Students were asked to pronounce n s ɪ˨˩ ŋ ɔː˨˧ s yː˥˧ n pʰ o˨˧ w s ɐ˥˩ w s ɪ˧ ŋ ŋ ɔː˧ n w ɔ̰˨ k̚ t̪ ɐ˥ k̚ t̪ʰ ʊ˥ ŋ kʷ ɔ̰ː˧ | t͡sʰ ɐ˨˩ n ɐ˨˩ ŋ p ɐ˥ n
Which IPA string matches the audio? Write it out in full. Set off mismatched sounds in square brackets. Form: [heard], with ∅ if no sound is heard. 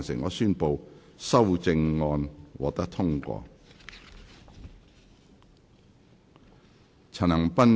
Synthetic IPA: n s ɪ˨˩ ŋ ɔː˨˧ s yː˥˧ n [p] o˨˧ w s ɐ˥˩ w [t͡s] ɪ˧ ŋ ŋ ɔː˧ n w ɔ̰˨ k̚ t̪ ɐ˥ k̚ t̪ʰ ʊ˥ ŋ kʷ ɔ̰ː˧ | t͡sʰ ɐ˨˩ n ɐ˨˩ ŋ p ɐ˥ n